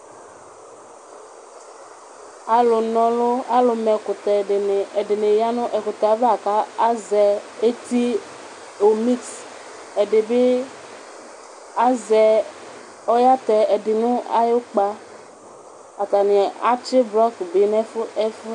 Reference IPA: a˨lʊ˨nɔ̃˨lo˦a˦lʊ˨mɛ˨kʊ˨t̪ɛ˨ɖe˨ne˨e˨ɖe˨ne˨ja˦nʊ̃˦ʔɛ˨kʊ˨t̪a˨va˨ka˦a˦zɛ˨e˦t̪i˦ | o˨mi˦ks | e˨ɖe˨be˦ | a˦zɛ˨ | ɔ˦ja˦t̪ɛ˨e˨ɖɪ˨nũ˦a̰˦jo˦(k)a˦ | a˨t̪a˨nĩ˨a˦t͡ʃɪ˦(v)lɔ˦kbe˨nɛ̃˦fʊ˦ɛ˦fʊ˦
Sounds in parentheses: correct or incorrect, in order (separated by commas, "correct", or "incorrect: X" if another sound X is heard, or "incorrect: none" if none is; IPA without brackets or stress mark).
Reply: incorrect: k͡p, incorrect: b